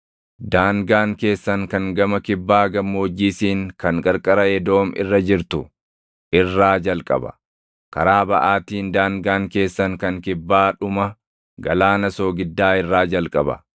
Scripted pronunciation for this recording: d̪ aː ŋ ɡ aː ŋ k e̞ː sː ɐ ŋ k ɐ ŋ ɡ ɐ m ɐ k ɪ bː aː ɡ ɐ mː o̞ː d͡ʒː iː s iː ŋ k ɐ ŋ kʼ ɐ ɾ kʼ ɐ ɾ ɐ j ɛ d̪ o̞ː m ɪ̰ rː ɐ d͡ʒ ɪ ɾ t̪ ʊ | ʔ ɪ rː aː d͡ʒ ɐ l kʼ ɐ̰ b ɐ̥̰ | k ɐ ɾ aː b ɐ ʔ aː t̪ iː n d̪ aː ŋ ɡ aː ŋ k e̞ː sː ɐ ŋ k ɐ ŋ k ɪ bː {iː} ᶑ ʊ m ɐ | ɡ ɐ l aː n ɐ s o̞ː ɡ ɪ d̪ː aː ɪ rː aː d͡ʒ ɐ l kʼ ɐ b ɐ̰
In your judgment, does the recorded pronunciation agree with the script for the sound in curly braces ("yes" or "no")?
no